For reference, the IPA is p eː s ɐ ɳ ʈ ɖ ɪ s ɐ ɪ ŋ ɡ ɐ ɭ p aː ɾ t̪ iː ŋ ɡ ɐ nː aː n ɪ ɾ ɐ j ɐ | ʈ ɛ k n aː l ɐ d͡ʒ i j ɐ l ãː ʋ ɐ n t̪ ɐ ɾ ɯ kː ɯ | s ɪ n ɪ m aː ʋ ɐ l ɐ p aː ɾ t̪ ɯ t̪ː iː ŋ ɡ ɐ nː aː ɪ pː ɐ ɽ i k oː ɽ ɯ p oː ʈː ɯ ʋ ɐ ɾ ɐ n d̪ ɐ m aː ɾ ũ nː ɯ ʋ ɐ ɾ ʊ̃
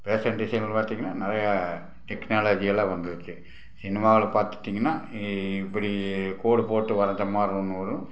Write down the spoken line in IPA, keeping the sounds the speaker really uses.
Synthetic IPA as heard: p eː s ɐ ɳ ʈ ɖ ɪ s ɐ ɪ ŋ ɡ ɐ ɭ p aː ɾ t̪ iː ŋ ɡ ɐ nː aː n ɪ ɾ ɐ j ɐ | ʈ ɛ k n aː l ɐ d͡ʒ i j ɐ l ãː ʋ ɐ n d̪ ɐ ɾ ɯ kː ɯ | s ɪ n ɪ m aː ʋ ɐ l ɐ p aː ɾ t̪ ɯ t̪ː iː ŋ ɡ ɐ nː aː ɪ pː ɐ ɽ i k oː ɽ ɯ p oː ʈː ɯ ʋ ɐ ɾ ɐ n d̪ ɐ m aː ɾ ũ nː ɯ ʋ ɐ ɾ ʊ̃